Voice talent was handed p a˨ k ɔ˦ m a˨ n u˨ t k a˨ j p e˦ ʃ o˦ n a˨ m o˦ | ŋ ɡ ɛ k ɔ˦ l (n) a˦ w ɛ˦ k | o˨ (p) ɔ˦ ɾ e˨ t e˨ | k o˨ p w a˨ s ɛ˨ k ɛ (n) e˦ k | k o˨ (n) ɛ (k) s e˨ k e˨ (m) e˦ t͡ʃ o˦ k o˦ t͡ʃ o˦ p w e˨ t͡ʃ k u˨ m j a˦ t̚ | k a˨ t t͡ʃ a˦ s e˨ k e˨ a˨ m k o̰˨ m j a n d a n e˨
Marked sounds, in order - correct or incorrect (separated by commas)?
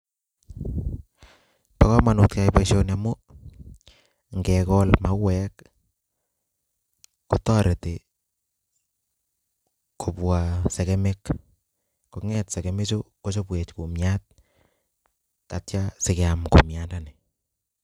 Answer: incorrect, incorrect, incorrect, incorrect, incorrect, correct